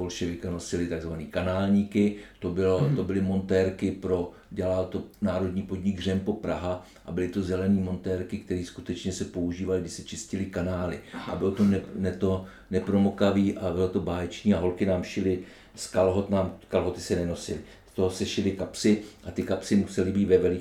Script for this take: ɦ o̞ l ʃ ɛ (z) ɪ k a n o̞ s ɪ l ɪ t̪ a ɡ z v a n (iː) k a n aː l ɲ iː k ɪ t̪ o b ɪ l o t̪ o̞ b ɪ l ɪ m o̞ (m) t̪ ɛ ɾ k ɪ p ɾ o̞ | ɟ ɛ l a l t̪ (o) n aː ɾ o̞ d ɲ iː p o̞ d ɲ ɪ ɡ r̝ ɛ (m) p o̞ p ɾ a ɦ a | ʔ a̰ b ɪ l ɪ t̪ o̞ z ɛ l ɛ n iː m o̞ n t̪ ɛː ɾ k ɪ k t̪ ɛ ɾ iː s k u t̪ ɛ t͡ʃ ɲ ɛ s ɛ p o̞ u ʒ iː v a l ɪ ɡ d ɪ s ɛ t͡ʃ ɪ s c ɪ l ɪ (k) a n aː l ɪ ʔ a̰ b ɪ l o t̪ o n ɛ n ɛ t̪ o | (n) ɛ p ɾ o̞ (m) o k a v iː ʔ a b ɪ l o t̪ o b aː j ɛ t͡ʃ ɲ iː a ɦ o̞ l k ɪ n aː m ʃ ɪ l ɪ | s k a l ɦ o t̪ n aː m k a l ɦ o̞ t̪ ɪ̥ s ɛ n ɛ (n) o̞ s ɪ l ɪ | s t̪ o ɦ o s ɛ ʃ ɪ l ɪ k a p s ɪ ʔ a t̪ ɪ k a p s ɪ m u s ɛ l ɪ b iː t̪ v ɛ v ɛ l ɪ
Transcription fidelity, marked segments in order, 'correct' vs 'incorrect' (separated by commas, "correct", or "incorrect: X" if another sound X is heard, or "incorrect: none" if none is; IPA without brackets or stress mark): incorrect: v, correct, incorrect: n, correct, correct, correct, correct, correct, correct